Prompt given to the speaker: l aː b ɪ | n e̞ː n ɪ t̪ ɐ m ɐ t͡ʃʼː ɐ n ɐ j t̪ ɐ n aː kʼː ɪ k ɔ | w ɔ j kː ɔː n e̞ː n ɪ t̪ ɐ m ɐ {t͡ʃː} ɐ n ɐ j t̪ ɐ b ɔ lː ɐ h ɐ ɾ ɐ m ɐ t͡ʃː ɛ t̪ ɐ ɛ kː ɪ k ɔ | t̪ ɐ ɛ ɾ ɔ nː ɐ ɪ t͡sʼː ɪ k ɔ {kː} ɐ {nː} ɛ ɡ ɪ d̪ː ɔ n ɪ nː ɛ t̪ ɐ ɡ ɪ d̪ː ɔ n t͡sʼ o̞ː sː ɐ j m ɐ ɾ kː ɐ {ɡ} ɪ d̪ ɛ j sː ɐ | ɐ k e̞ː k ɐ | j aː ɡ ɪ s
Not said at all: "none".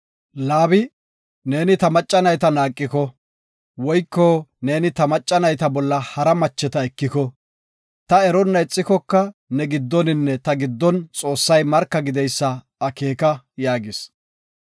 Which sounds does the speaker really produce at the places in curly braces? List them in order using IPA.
t͡ʃʼː, kː, n, ɡ

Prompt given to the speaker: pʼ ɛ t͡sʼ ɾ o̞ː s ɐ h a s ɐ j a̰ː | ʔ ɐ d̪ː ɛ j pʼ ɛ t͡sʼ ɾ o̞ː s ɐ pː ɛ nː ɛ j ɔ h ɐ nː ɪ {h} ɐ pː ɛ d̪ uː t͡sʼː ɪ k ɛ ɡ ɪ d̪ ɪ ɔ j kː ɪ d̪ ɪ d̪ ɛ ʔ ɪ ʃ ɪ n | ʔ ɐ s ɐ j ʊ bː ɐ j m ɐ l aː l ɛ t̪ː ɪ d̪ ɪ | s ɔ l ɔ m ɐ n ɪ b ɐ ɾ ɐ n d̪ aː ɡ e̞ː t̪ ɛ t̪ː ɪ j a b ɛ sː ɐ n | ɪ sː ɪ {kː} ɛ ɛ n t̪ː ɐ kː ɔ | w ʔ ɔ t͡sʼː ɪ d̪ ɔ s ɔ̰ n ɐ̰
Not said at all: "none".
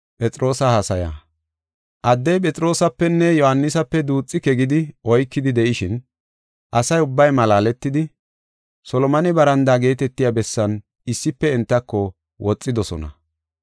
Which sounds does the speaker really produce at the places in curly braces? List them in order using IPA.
s, pː

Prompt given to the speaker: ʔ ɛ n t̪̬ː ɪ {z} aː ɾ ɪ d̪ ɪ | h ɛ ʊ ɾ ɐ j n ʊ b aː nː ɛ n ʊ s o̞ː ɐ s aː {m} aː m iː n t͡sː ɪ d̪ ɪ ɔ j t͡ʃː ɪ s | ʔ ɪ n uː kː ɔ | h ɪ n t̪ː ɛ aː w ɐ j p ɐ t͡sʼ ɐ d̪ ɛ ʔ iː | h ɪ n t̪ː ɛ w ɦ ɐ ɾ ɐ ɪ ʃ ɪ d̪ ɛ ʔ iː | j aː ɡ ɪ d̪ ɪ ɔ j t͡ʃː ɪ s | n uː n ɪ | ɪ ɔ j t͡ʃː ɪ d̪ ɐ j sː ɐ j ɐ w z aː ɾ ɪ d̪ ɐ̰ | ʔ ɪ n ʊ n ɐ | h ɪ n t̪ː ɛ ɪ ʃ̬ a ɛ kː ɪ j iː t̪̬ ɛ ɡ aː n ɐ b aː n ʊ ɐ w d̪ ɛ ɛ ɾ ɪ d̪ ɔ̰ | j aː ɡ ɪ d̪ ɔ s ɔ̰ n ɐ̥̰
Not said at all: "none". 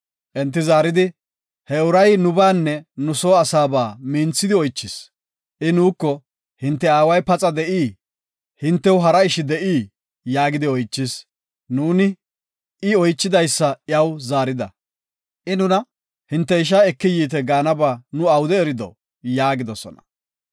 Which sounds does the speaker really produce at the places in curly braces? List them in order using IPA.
z, b

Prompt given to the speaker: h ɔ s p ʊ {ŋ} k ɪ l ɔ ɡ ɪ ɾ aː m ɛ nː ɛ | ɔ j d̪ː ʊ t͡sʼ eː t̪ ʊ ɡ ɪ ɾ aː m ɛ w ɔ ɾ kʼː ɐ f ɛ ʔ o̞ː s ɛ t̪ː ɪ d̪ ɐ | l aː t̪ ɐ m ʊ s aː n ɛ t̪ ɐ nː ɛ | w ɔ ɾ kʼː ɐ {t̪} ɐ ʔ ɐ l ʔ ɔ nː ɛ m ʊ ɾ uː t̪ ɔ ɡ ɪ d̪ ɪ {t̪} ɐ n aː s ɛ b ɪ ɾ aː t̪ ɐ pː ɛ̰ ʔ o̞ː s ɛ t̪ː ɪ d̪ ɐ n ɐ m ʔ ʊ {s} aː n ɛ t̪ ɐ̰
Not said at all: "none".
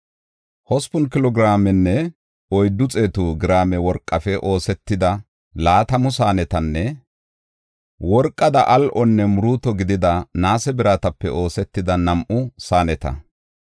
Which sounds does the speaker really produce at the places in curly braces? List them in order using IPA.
n, d̪, d̪, s

